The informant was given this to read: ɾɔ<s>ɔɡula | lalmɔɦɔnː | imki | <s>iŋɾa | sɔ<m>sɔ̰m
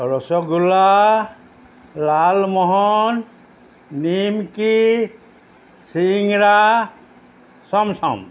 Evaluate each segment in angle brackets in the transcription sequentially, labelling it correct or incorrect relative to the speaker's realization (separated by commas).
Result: correct, correct, correct